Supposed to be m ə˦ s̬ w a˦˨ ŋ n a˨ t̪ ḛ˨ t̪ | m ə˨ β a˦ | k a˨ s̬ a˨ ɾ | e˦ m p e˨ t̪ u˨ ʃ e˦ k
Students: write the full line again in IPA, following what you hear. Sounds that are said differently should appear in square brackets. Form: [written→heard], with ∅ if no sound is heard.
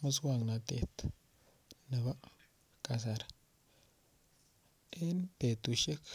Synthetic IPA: m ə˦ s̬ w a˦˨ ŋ n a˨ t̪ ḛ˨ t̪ | [m→n] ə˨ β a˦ | k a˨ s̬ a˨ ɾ | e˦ [m→n] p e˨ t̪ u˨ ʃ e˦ k